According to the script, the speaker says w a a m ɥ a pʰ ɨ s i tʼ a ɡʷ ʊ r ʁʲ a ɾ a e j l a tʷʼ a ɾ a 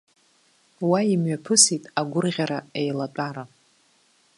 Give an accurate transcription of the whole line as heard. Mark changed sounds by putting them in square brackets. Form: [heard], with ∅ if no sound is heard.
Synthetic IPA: w a [i] m ɥ a pʰ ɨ s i tʼ a ɡʷ ʊ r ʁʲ a ɾ a e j l a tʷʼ a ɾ a